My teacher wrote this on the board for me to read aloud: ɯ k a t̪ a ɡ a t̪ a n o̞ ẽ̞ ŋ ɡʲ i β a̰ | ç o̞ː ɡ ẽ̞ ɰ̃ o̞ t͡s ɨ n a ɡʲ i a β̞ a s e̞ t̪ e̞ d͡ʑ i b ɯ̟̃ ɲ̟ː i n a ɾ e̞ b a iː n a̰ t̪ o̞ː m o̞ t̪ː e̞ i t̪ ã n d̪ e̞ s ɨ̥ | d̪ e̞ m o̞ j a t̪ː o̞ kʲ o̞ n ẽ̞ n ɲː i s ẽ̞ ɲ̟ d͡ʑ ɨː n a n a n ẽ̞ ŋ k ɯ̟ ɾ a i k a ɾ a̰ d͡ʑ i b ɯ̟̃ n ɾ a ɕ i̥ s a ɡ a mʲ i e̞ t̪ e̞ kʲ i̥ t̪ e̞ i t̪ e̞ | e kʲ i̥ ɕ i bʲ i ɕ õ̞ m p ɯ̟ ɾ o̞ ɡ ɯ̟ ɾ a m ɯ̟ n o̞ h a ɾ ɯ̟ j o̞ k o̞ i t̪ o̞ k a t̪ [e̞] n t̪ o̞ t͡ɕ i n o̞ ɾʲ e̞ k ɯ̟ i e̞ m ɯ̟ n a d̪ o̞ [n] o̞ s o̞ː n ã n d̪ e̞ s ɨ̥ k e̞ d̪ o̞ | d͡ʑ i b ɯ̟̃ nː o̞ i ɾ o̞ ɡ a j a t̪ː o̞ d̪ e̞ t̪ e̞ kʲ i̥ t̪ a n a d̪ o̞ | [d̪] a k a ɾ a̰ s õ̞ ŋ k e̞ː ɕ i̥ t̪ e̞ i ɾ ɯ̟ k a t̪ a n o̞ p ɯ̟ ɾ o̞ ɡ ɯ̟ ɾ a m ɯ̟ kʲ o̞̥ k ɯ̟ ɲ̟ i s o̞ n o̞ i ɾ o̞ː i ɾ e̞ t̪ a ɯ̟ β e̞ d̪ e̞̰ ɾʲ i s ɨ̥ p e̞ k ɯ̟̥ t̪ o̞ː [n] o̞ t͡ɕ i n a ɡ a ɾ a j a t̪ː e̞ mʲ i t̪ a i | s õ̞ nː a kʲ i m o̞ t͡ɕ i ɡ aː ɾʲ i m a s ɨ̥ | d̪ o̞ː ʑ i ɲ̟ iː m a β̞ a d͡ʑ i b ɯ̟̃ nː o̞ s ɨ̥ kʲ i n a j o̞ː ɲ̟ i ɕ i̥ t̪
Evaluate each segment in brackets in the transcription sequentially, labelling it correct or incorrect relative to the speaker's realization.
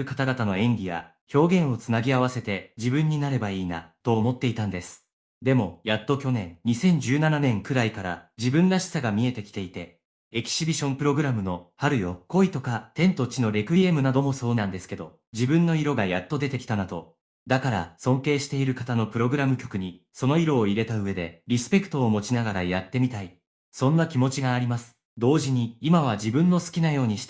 incorrect: ẽ̞, incorrect: m, correct, incorrect: m

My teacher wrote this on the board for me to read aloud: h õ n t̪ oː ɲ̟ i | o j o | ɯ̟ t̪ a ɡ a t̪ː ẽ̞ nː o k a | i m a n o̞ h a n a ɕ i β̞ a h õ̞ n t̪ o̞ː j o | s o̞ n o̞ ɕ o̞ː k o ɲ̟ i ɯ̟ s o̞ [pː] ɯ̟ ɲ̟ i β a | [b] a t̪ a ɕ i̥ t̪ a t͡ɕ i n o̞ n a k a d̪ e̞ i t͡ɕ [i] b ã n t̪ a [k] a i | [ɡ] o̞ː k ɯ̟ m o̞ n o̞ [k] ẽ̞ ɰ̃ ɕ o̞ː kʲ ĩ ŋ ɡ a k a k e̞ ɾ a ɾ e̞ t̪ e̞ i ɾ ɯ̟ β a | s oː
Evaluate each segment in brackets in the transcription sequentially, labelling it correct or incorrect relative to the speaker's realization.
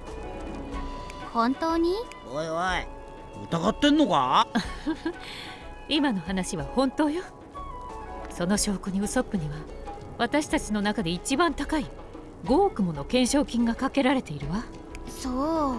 correct, incorrect: β, correct, correct, correct, correct

